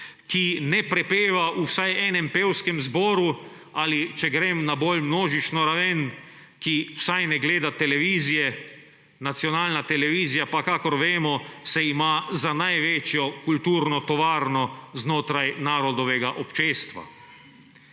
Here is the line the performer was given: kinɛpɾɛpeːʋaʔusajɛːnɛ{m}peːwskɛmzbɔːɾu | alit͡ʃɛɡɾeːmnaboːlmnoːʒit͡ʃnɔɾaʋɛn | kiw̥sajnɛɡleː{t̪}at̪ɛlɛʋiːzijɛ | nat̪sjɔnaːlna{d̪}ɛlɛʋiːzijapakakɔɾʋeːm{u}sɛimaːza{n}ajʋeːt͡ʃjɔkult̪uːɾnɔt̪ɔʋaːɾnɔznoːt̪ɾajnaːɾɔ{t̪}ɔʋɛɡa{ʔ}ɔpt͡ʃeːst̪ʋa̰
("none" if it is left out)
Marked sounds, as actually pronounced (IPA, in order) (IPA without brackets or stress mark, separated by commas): m, d̪, t̪, ɔ, n, d̪, ʔ